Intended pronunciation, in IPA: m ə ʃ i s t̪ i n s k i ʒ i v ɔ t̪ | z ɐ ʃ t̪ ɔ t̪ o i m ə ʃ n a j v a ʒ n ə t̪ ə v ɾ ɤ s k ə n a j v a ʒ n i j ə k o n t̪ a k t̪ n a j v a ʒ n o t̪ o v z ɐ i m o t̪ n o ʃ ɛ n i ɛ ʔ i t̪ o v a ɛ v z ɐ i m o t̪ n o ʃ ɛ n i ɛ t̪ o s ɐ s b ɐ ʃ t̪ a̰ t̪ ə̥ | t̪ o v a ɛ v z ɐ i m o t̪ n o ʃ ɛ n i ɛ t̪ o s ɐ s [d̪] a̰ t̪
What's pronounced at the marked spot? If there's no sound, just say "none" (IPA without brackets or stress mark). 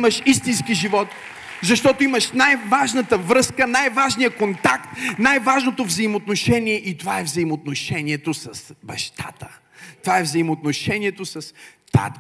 t̪